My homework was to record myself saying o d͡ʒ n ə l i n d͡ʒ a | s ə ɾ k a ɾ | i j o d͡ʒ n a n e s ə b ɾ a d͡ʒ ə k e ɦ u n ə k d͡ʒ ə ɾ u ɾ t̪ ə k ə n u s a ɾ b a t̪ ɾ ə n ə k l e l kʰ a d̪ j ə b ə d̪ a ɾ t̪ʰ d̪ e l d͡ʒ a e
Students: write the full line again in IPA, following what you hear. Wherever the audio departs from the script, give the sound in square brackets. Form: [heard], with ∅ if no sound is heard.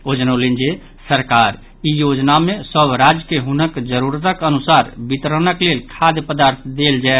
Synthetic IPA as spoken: o d͡ʒ n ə l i n d͡ʒ [e] | s ə ɾ k a ɾ | i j o d͡ʒ n a [m] e s ə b ɾ a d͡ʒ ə k e ɦ u n ə k d͡ʒ ə ɾ u ɾ t̪ ə k ə n u s a ɾ b [i] t̪ ɾ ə n ə k l e l kʰ a d̪ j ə [p] ə d̪ a ɾ t̪ʰ d̪ e l d͡ʒ a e